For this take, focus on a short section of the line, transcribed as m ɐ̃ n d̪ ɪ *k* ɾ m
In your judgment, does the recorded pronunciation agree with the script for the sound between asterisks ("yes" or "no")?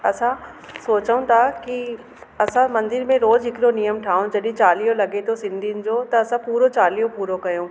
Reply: no